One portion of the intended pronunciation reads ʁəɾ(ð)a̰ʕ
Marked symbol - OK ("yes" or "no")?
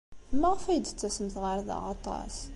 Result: yes